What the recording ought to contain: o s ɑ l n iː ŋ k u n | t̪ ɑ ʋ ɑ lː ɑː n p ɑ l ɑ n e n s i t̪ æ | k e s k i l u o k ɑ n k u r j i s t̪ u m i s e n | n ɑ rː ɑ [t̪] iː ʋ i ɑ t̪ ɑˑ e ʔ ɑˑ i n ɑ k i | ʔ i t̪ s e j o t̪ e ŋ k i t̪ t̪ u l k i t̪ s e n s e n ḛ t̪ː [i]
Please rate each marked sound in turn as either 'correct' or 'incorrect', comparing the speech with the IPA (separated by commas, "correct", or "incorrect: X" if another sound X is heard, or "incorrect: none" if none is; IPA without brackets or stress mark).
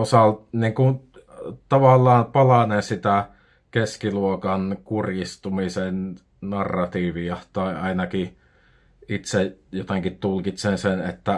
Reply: correct, incorrect: æ